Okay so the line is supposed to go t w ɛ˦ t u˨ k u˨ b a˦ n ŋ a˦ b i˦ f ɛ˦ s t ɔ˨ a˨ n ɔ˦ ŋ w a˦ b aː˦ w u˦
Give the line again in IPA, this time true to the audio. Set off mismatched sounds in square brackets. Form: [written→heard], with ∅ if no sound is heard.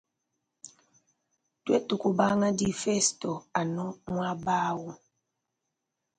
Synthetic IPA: t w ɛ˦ t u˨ k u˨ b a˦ [n→∅] ŋ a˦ [b→d] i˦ f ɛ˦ s t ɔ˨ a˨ n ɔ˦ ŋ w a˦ b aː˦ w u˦